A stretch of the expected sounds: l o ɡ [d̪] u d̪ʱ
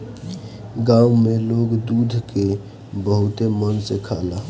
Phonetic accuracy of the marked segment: correct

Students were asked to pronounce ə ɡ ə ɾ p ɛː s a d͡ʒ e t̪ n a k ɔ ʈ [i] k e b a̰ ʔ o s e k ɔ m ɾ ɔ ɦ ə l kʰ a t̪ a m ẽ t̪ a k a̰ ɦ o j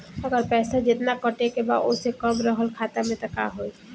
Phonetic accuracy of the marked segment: incorrect: e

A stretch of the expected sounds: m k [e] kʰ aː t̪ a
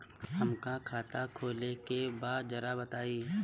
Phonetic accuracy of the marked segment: incorrect: a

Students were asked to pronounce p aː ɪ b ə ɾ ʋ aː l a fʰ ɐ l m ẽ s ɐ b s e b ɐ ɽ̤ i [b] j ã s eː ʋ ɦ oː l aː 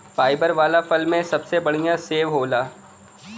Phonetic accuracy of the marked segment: incorrect: none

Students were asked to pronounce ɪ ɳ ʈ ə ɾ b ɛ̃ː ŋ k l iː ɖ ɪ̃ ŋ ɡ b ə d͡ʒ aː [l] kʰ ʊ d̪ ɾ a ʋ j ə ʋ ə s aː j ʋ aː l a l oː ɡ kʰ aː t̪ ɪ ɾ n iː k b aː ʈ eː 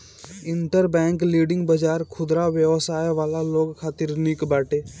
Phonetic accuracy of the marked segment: incorrect: ɾ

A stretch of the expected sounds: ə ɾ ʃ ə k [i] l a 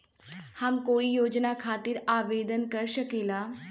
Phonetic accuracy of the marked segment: incorrect: e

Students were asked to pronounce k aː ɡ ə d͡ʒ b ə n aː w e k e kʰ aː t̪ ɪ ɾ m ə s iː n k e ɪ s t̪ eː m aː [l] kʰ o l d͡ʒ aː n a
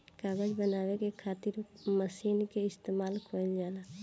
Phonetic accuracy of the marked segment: correct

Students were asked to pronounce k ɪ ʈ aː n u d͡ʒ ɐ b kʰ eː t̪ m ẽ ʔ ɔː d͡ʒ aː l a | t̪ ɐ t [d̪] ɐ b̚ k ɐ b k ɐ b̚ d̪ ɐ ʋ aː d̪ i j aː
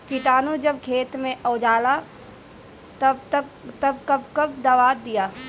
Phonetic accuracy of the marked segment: incorrect: t̪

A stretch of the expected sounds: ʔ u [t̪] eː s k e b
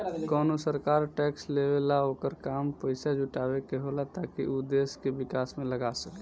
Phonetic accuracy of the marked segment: incorrect: d̪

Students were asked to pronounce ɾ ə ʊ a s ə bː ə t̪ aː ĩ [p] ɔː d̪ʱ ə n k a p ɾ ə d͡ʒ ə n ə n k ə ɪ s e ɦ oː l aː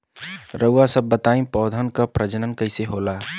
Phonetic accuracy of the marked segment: correct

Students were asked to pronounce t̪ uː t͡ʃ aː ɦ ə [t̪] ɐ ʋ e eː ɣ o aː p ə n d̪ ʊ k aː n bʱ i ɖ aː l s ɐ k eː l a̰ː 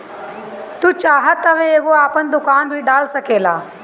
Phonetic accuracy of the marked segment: correct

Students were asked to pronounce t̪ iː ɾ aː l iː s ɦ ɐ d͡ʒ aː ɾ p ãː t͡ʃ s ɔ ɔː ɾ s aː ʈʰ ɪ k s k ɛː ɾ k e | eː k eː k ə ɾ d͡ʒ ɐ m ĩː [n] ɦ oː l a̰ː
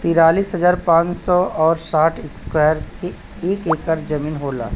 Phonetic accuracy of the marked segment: correct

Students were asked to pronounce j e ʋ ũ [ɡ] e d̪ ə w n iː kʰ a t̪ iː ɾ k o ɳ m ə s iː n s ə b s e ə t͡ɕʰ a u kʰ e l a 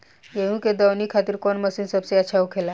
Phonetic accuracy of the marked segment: incorrect: k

